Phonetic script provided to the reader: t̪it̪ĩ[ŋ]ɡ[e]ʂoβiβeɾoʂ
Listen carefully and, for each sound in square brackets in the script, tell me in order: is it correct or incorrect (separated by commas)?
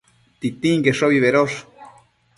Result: correct, correct